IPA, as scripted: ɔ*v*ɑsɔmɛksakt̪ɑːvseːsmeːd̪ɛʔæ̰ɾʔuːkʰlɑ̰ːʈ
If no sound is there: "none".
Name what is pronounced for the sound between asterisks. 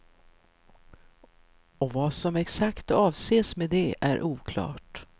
v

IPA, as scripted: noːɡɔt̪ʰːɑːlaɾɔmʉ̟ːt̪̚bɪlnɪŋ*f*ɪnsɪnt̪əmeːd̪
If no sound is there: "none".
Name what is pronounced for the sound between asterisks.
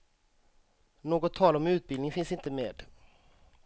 f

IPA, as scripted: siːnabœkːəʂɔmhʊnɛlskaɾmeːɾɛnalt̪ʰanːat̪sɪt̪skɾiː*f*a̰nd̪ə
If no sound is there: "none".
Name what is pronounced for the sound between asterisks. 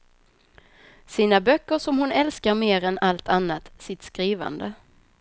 v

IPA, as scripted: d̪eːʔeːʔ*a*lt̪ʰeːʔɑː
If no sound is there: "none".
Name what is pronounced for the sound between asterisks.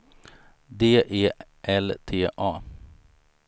ɛ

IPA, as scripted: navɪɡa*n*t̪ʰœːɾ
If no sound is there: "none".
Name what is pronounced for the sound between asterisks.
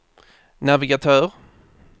none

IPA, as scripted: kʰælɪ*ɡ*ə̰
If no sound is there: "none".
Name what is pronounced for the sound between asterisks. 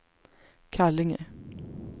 ŋ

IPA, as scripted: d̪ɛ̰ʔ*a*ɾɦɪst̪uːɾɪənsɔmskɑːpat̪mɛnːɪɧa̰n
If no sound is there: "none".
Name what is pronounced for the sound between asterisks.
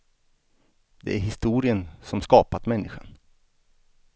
æ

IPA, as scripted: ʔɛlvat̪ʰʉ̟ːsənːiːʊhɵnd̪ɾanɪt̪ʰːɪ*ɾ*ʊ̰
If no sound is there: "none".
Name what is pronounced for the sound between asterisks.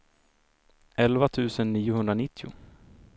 none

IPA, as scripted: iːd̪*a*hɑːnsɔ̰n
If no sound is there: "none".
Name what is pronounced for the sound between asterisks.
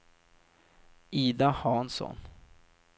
a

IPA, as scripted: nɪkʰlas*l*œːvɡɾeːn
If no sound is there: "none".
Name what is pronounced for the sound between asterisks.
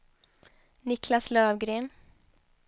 l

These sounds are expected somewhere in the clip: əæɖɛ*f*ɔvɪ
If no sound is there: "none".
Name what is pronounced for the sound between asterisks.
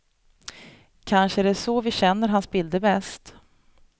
s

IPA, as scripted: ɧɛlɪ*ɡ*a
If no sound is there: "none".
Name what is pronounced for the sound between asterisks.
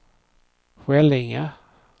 ŋ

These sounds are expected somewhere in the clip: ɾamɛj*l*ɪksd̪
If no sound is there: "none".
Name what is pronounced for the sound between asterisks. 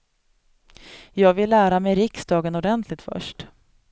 ɾ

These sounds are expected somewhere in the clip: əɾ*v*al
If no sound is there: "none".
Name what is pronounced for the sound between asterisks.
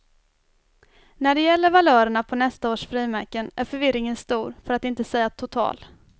v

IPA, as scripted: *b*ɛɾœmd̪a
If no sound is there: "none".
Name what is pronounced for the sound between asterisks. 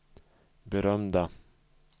b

